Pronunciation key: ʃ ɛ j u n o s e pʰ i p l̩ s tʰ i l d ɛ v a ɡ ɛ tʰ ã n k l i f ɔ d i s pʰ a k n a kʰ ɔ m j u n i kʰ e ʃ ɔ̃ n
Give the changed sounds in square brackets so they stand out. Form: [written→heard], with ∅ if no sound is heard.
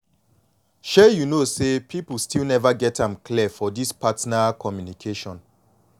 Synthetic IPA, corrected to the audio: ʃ ɛ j u n o s e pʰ i p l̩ s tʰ i l [d→n] ɛ v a ɡ ɛ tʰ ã [n→m] k l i f ɔ d i s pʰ a [k→t] n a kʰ ɔ m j u n i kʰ e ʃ ɔ̃ n